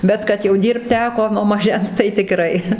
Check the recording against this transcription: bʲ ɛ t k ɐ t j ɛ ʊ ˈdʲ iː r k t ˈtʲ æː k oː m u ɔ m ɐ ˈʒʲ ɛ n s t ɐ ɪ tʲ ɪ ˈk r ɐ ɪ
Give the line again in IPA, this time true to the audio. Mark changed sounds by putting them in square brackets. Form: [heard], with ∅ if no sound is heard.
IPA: bʲ ɛ t k ɐ t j ɛ ʊ ˈdʲ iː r [p] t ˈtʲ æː k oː [n] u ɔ m ɐ ˈʒʲ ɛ n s t ɐ ɪ tʲ ɪ ˈk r ɐ ɪ